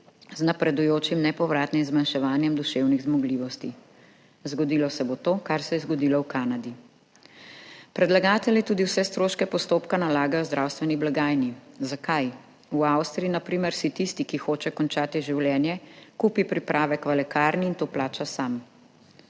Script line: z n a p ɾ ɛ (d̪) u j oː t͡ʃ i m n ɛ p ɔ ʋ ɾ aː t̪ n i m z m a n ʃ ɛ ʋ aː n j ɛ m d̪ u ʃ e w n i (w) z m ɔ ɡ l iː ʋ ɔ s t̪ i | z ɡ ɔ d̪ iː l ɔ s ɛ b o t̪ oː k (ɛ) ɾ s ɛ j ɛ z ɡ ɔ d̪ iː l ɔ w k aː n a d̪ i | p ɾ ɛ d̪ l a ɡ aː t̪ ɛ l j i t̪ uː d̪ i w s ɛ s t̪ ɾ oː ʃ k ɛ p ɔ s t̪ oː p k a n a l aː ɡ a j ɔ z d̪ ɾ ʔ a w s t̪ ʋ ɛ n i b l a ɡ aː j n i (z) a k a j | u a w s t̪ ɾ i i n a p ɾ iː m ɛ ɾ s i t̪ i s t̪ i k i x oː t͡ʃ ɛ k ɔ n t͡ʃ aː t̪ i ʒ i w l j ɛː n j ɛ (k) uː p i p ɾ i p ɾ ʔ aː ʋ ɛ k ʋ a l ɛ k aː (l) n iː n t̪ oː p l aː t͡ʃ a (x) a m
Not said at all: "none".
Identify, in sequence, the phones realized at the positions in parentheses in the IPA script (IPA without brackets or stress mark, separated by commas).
d̪, ɣ, a, z, k, ɾ, s